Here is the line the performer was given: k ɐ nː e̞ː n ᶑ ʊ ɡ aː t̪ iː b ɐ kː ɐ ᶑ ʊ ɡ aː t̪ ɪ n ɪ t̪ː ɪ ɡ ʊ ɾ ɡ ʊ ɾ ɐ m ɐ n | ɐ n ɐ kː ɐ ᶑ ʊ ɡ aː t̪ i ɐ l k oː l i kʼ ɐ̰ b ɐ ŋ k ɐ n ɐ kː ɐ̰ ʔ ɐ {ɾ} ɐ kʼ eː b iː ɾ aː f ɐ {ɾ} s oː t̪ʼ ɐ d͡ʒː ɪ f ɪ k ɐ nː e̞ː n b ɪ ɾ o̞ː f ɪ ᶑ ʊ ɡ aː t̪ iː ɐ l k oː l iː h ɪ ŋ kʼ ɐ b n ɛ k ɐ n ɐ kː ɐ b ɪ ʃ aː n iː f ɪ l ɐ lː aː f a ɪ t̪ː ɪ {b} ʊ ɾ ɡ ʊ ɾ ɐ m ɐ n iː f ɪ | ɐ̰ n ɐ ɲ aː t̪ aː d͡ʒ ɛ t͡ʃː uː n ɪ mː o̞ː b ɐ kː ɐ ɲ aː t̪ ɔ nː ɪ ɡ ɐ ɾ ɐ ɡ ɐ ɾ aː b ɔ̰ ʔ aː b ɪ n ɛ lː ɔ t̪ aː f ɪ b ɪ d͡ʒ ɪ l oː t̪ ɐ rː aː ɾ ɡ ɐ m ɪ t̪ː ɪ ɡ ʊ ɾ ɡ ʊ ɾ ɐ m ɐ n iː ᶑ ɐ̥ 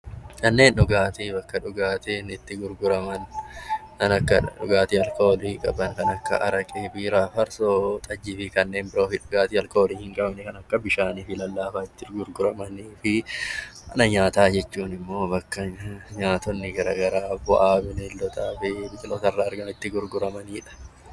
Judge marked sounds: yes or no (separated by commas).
yes, yes, no